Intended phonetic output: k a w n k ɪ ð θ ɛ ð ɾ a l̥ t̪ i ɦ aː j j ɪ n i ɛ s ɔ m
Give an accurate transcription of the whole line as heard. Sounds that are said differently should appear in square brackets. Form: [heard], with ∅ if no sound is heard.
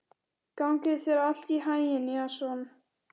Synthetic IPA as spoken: k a w [ŋ] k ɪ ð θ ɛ [∅] ɾ a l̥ t̪ i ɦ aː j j ɪ n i [a] s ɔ [n]